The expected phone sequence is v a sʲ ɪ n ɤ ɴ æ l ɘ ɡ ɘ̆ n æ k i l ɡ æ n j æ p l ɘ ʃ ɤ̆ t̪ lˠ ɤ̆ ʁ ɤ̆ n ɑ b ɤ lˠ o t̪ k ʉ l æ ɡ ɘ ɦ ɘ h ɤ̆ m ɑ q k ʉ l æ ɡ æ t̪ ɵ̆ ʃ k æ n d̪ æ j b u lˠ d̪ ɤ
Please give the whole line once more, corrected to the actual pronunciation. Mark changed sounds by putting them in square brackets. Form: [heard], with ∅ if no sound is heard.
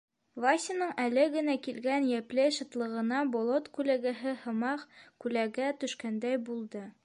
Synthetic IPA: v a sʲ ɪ n ɤ ɴ æ l ɘ ɡ ɘ̆ n æ k i l ɡ æ n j æ p l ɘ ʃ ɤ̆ t̪ lˠ ɤ̆ ʁ ɤ̆ n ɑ b [o] lˠ o t̪ k ʉ l æ ɡ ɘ ɦ ɘ h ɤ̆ m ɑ q k ʉ l æ ɡ æ t̪ ɵ̆ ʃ k æ n d̪ æ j b u lˠ d̪ ɤ